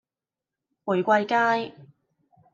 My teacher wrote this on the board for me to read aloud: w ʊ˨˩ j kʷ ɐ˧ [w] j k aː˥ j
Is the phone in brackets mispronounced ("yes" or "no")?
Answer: yes